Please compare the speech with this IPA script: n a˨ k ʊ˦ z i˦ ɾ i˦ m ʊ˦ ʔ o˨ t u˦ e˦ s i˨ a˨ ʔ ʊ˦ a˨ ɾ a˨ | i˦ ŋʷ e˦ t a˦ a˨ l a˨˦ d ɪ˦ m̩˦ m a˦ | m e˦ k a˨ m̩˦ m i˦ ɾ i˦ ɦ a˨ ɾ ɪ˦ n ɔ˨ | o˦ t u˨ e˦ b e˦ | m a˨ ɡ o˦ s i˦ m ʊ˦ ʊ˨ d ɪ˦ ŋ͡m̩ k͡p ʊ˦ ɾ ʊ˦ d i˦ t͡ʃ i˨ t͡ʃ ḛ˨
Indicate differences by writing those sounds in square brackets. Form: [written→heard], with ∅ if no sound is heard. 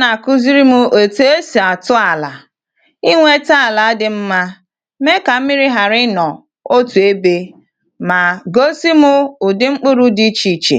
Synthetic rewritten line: n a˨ k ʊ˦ z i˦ ɾ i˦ m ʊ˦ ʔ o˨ t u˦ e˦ s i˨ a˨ [ʔ→t] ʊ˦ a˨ [ɾ→l] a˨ | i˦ ŋʷ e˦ t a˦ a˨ l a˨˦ d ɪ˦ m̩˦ m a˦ | m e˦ k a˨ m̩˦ m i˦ ɾ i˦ ɦ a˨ ɾ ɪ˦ n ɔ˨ | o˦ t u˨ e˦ b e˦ | m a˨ ɡ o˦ s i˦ m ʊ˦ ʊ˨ d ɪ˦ ŋ͡m̩ k͡p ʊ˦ ɾ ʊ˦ d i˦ t͡ʃ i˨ t͡ʃ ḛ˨